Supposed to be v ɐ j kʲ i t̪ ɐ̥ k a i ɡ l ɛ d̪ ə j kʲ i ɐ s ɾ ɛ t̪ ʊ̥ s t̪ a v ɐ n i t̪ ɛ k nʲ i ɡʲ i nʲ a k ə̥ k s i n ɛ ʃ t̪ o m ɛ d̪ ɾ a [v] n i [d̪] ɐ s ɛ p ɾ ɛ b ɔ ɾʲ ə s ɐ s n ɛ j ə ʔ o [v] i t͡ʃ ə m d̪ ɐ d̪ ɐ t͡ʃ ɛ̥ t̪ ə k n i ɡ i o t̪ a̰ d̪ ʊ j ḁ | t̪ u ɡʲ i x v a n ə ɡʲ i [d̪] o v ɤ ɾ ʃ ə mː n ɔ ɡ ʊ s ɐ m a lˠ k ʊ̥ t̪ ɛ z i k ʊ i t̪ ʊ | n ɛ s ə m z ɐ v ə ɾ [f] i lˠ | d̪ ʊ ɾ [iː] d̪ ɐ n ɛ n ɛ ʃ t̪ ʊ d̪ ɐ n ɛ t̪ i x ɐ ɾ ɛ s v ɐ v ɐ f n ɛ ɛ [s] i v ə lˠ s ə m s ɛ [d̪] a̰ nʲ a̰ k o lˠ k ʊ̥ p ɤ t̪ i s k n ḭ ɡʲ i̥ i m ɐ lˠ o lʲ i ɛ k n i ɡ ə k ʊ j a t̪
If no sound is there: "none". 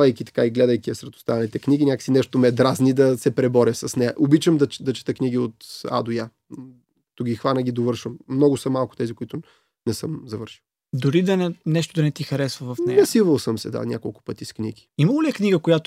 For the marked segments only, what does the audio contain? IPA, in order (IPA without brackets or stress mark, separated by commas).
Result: z, d̪, b, d̪, ʃ, i, s, d̪